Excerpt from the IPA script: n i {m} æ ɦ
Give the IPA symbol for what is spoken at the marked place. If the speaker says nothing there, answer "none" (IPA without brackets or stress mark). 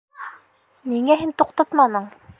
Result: ŋ